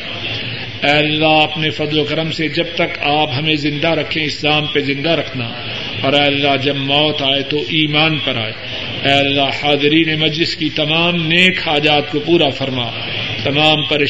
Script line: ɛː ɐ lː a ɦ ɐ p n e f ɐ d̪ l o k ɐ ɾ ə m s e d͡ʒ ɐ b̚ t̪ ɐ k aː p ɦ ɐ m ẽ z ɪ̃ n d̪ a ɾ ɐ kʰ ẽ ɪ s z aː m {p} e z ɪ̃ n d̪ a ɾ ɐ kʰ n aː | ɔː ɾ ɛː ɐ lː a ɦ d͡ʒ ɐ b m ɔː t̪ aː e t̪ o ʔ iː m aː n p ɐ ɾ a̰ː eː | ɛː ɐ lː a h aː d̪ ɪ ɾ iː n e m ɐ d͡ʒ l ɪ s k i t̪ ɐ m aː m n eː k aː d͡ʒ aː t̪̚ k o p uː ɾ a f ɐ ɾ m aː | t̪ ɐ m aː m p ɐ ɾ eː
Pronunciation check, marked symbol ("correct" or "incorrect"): correct